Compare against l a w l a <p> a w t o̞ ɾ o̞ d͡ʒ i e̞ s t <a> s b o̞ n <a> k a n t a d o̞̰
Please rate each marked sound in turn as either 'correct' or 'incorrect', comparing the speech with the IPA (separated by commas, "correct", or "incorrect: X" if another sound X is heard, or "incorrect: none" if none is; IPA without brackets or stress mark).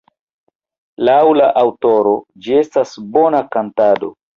incorrect: ʔ, correct, correct